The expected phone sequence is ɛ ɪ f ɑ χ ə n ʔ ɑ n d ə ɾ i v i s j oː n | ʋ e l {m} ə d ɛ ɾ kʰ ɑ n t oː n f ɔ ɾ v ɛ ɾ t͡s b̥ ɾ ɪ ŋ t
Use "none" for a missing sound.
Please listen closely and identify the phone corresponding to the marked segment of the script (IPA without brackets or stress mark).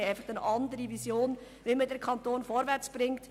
m